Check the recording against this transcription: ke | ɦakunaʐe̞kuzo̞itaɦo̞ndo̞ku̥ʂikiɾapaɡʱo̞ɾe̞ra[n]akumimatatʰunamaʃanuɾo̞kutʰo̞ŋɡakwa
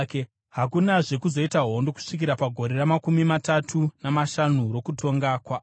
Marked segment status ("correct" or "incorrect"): incorrect